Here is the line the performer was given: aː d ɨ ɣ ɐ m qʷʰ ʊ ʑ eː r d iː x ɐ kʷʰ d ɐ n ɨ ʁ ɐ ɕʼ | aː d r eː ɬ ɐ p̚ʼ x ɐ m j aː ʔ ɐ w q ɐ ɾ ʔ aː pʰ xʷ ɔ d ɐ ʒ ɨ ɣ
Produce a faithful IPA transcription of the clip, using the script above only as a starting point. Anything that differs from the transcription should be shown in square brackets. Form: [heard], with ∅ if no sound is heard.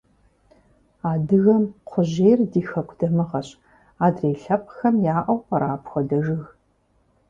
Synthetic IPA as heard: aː d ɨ ɣ ɐ m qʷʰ ʊ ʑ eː r d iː x ɐ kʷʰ d ɐ [m] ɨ ʁ ɐ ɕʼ | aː d r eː ɬ ɐ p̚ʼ x ɐ m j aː ʔ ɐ w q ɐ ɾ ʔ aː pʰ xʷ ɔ d ɐ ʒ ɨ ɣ